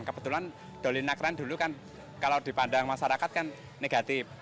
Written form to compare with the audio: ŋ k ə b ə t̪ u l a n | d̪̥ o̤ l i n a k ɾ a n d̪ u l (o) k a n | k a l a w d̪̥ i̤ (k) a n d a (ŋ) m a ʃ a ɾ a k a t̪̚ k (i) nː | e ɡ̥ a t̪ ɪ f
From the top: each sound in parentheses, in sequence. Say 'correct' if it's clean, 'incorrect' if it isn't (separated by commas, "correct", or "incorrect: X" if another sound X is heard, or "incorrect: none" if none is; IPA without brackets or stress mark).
incorrect: u, incorrect: p, correct, incorrect: a